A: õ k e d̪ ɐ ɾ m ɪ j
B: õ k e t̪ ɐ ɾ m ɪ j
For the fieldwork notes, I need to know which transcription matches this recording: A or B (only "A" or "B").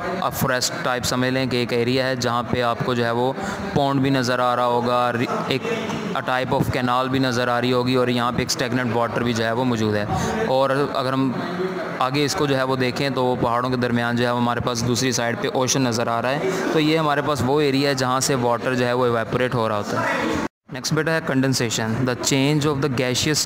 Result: A